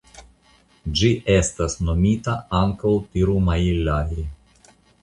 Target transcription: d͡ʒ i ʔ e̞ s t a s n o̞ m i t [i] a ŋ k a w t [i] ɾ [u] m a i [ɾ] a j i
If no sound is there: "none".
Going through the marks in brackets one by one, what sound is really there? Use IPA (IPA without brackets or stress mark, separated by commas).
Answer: a, i, u, l